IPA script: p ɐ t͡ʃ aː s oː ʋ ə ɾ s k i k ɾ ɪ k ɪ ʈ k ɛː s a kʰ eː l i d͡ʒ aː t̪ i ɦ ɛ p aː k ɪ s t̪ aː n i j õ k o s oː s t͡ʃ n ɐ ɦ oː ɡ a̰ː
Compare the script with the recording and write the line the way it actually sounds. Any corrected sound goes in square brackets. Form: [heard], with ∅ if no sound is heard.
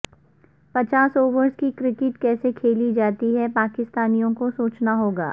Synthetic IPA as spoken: p ɐ t͡ʃ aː s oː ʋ ə ɾ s k i k ɾ ɪ k ɪ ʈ k ɛː s [e] kʰ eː l i d͡ʒ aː t̪ i ɦ ɛ p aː k ɪ s t̪ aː n i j õ k o s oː [∅] t͡ʃ n [a] ɦ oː ɡ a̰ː